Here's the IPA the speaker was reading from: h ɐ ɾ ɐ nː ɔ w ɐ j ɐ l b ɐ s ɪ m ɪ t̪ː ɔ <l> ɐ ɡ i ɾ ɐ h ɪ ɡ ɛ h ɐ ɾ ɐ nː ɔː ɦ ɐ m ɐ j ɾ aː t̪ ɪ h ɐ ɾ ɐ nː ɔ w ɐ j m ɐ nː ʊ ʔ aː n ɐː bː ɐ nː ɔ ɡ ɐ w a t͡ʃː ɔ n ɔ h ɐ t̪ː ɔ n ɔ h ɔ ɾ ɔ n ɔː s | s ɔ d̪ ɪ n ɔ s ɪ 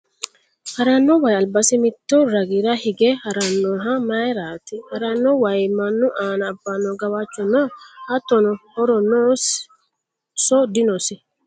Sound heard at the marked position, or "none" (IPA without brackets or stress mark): ɾ